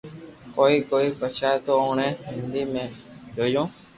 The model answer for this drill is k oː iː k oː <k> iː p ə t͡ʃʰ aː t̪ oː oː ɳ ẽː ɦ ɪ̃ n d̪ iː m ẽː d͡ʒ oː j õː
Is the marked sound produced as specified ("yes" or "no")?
no